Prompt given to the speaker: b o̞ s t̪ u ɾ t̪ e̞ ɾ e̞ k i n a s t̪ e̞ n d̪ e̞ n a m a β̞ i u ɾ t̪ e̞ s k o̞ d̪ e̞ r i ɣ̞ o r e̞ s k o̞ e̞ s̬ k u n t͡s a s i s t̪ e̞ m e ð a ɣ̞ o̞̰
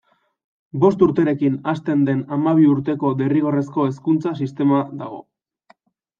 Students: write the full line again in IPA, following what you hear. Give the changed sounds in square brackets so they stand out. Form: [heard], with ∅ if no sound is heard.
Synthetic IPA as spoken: b o̞ s t̪ u ɾ t̪ e̞ ɾ e̞ k i n a s t̪ e̞ n d̪ e̞ n a m a β̞ i u ɾ t̪ e̞ [∅] k o̞ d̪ e̞ r i ɣ̞ o r e̞ s k o̞ e̞ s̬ k u n t͡s a s i s t̪ e̞ m [a] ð a ɣ̞ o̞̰